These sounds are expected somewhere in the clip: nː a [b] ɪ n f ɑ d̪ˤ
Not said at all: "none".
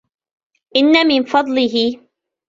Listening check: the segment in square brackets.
m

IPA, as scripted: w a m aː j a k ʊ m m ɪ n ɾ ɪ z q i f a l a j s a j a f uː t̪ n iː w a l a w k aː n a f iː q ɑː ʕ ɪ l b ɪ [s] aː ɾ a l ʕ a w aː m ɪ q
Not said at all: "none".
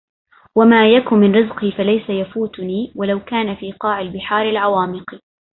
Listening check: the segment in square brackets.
ħ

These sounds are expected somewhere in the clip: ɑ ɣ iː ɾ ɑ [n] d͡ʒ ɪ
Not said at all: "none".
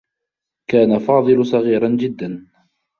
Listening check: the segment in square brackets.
n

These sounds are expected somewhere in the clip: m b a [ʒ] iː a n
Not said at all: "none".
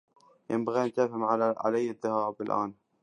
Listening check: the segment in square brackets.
ɣ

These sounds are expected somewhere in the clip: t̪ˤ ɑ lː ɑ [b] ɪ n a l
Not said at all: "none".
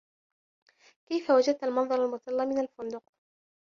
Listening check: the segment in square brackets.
m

